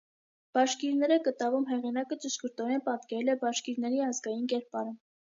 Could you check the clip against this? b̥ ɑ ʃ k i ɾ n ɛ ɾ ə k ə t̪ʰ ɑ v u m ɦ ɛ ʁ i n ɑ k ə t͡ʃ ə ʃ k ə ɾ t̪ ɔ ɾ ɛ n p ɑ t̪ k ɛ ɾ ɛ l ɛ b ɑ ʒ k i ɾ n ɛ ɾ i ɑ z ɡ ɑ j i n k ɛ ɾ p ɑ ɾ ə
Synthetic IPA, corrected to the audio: b̥ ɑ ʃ k i ɾ n ɛ ɾ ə k ə t̪ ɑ v u m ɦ ɛ ʁ i n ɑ k ə t͡ʃ ə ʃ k ə ɾ t̪ ɔ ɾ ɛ n p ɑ t̪ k ɛ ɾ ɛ l ɛ b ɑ ʃ k i ɾ n ɛ ɾ i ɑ z ɡ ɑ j i n k ɛ ɾ p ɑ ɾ ə